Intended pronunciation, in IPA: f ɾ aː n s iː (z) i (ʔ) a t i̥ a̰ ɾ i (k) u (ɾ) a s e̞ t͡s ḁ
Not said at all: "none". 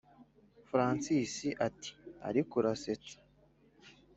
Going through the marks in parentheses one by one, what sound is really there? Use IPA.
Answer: s, ʔ, k, ɾ

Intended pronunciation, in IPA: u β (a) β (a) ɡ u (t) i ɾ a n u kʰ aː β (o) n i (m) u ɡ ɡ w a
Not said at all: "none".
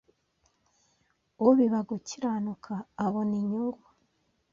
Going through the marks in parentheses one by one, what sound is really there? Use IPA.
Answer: i, a, c, o, ɲ

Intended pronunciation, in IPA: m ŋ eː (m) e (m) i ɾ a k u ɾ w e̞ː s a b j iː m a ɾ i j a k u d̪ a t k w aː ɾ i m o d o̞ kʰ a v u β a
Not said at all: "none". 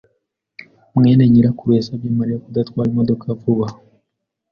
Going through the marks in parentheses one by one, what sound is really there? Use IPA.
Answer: n, ɲ

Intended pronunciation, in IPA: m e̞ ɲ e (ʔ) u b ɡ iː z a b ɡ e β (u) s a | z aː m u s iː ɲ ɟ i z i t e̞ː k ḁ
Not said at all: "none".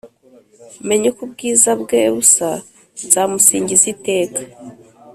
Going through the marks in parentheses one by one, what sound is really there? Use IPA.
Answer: k, u

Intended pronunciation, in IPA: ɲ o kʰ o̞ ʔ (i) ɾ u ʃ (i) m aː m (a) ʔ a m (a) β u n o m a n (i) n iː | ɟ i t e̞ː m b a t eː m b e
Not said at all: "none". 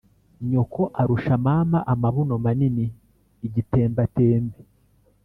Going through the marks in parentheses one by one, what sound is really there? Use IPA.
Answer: a, a, a, a, i

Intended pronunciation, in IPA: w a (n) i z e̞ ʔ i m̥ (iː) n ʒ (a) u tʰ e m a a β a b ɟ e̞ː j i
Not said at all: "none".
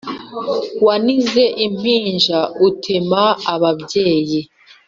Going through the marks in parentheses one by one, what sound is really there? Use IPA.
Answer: n, iː, a

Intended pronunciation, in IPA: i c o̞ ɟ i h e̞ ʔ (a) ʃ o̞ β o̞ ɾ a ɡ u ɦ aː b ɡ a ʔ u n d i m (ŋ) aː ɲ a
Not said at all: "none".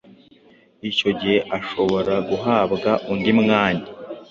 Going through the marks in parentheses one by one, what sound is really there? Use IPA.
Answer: a, ŋ

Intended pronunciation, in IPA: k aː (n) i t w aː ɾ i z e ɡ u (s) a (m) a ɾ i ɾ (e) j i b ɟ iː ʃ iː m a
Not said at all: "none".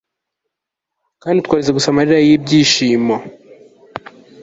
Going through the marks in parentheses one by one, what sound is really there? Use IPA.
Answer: n, s, m, a

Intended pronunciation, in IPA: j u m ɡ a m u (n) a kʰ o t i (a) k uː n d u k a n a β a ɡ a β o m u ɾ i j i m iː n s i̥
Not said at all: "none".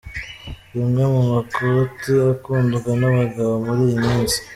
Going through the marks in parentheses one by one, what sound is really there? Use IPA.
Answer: m, a

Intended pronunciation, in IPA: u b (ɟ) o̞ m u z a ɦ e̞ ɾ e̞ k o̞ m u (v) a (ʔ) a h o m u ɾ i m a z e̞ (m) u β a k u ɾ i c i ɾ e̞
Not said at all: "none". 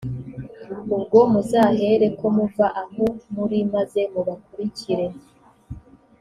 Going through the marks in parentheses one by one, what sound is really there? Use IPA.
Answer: ɡ, v, ʔ, m

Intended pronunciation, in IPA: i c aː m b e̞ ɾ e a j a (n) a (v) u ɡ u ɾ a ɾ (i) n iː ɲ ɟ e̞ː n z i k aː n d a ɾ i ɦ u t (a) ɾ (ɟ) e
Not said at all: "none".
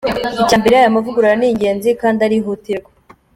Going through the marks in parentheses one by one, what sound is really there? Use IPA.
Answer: m, v, a, i, ɡ

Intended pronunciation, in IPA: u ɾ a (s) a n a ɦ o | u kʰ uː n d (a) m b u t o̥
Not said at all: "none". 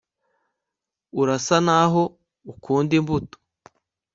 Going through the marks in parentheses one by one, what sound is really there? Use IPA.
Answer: s, i

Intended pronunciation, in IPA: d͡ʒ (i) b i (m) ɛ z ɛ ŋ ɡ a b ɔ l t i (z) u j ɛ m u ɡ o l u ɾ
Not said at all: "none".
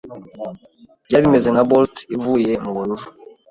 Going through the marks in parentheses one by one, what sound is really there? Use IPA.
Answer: a, m, v

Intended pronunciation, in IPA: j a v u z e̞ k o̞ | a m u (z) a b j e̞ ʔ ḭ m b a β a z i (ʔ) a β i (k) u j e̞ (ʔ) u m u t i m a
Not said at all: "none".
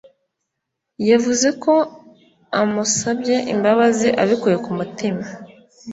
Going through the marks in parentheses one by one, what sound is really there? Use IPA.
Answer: s, ʔ, k, k

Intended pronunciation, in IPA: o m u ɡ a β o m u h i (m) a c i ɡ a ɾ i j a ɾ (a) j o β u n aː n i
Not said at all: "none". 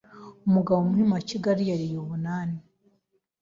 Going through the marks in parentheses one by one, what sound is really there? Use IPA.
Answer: m, i

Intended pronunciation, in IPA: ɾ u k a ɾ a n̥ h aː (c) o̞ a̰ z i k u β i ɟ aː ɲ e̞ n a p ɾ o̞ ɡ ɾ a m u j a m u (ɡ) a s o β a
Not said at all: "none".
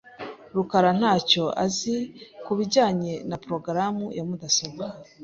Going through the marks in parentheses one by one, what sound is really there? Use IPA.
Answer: c, d

